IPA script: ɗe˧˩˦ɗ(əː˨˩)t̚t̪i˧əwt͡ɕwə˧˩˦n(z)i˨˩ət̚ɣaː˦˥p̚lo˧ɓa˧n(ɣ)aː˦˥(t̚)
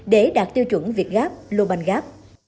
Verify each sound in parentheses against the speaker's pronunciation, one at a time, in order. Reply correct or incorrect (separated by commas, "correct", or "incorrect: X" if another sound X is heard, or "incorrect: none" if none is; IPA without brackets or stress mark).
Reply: incorrect: aː˨˩, incorrect: v, correct, incorrect: p̚